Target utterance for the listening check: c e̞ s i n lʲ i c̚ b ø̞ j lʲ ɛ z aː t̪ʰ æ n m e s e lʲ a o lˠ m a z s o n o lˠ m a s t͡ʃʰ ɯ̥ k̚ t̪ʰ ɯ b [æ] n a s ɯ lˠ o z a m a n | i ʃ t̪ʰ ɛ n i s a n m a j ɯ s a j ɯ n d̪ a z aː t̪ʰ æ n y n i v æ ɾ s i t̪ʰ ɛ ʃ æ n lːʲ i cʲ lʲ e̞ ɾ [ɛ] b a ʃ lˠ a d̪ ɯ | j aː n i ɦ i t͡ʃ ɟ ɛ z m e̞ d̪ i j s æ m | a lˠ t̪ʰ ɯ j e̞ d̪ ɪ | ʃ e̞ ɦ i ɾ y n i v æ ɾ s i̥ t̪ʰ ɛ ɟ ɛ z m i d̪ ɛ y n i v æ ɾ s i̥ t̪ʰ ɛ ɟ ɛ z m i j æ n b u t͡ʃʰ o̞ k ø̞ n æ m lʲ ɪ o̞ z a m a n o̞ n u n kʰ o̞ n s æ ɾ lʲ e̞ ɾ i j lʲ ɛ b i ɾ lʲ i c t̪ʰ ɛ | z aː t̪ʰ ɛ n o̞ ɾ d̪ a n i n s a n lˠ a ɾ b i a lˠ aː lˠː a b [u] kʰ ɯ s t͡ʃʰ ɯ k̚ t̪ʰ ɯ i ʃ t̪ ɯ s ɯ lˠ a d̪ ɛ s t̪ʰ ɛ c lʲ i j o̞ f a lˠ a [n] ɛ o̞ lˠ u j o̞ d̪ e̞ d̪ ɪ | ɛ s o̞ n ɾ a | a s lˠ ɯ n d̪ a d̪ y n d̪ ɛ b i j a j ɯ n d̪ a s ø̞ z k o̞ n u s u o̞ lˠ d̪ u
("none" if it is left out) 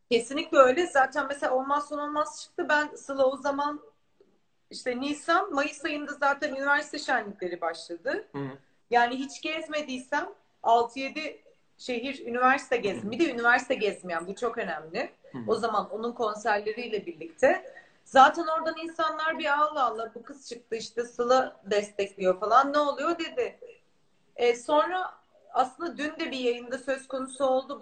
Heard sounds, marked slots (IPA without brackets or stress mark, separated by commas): æ, i, u, nː